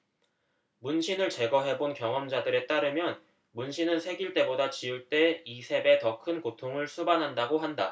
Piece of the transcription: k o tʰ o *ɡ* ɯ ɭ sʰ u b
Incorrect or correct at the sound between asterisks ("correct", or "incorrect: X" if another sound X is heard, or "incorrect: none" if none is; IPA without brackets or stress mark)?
incorrect: ŋ